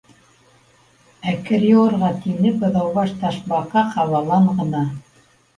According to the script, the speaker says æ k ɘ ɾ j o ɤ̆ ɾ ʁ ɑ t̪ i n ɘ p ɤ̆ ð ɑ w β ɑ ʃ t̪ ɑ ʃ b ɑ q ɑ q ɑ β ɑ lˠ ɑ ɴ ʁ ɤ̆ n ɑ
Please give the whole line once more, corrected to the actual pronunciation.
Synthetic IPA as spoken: æ k ɘ ɾ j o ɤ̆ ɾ ʁ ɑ t̪ i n ɘ p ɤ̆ ð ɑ w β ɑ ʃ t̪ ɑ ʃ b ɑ q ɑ q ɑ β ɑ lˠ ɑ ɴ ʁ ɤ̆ n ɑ